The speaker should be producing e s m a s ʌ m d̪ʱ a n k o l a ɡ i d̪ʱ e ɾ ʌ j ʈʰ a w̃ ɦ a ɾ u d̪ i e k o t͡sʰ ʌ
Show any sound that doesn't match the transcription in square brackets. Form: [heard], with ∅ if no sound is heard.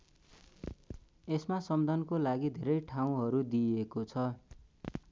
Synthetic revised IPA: e s m a s ʌ m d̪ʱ [ʌ] n k o l a ɡ i d̪ʱ e ɾ ʌ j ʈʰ a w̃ ɦ [ʌ] ɾ u d̪ i e k o t͡sʰ ʌ